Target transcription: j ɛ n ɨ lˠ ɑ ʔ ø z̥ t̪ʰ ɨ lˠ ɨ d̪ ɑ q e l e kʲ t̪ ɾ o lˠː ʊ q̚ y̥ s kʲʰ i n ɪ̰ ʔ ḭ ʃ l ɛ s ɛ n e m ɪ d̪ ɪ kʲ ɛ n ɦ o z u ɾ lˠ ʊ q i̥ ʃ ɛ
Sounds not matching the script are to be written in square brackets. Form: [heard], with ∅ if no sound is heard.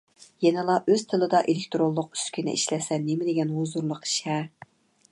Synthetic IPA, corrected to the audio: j ɛ n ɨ lˠ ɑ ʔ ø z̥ t̪ʰ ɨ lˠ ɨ d̪ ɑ [ʔ] e l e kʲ t̪ ɾ o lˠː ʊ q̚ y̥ s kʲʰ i n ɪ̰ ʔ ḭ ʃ l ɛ s ɛ n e m ɪ d̪ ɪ [ɡʲ] ɛ n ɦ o z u ɾ lˠ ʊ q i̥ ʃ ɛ